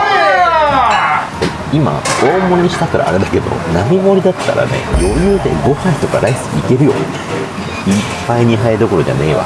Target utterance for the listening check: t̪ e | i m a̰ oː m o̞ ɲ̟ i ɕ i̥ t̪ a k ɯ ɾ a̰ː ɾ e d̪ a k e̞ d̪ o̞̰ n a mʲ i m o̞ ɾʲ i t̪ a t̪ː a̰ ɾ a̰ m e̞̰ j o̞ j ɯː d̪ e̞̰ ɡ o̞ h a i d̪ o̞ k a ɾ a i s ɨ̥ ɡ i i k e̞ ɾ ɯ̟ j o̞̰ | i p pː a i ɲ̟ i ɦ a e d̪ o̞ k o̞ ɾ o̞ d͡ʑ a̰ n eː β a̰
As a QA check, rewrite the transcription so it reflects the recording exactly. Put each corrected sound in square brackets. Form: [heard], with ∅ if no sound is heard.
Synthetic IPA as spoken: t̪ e | i m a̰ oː m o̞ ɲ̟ i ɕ i̥ t̪ a k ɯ ɾ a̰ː ɾ e d̪ a k e̞ d̪ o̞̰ n a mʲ i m o̞ ɾʲ i [d̪] a t̪ː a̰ ɾ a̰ [n] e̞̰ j o̞ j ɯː d̪ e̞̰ ɡ o̞ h a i [t̪] o̞ k a ɾ a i s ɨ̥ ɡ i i k e̞ ɾ ɯ̟ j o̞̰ | i p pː a i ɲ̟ i ɦ a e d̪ o̞ k o̞ ɾ o̞ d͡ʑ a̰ n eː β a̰